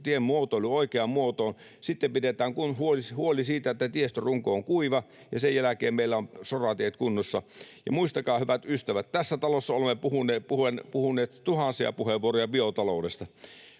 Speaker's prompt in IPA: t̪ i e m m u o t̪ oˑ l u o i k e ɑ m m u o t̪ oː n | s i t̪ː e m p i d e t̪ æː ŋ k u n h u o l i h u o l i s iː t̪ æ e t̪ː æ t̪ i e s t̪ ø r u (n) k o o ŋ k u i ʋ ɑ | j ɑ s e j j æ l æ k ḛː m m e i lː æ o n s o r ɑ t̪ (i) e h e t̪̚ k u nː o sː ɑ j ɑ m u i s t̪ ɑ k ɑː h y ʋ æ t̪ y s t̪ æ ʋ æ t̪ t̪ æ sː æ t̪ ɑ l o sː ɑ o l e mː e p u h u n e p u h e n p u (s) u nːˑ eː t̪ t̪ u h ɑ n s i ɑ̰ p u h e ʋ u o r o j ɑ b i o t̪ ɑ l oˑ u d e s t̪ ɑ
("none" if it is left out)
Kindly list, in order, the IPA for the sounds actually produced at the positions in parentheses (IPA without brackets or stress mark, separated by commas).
ŋ, i, h